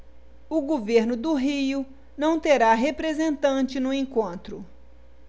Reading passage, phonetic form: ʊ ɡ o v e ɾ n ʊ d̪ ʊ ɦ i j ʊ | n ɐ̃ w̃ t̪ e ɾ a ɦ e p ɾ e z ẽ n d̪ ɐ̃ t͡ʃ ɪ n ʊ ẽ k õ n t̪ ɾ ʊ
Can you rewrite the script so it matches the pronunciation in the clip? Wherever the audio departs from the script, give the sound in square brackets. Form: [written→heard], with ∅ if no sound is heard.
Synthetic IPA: ʊ ɡ o v e ɾ n ʊ d̪ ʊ ɦ i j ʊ | n ɐ̃ w̃ t̪ e ɾ a ɦ e p ɾ e z ẽ n [d̪→t̪] ɐ̃ t͡ʃ ɪ n ʊ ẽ k õ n t̪ ɾ ʊ